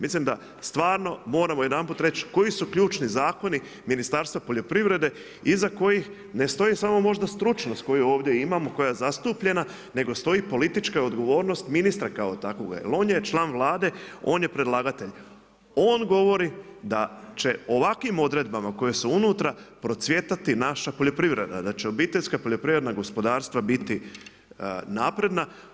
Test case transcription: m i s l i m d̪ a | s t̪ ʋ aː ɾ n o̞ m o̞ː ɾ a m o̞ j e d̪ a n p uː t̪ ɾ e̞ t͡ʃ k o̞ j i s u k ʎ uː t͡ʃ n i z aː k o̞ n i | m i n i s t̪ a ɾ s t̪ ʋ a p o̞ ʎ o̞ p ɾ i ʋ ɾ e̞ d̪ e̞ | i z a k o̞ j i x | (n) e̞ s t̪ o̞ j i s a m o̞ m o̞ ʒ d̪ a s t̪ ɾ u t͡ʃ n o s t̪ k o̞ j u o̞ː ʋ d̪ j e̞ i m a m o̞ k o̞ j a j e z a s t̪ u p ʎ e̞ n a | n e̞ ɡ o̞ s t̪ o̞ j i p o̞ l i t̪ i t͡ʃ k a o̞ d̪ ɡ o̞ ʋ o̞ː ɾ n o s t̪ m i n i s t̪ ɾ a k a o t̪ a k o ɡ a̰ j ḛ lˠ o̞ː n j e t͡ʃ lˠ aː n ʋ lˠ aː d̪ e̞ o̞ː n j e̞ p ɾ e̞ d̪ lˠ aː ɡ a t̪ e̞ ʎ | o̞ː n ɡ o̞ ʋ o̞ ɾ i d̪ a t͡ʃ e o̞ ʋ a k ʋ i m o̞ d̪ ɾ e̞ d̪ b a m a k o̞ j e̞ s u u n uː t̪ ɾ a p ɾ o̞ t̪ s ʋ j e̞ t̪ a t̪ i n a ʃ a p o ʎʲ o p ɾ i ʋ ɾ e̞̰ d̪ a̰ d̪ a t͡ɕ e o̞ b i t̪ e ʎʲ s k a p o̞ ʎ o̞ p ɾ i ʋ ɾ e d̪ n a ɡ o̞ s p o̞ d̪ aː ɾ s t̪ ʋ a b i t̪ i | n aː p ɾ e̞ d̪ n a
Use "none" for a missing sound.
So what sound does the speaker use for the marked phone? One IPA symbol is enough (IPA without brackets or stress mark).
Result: n